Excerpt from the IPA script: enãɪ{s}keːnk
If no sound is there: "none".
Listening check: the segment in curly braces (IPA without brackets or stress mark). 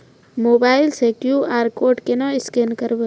s